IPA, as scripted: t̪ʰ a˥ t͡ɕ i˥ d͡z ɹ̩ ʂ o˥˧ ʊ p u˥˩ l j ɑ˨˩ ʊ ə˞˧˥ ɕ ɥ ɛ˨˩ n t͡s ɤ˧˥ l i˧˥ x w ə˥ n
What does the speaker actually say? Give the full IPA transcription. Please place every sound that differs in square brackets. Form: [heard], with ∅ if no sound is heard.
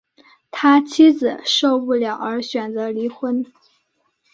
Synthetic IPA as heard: t̪ʰ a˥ [t͡ɕʰ] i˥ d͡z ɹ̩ ʂ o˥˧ ʊ p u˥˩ l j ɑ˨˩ ʊ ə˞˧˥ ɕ ɥ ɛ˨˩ n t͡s ɤ˧˥ l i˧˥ x w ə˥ n